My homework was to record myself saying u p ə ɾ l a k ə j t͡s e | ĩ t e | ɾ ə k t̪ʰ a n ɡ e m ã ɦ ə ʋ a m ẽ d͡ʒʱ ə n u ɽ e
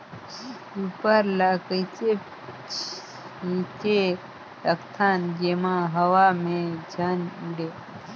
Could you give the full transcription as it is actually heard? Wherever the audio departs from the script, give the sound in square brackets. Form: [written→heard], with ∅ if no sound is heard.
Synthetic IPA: u p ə ɾ l a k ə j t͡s e | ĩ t e | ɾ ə k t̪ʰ a n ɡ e m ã ɦ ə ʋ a m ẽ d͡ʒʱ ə n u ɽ e